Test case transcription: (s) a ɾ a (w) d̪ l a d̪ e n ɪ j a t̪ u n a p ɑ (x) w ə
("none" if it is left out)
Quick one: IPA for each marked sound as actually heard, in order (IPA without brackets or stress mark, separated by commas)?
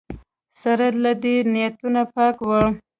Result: s, none, k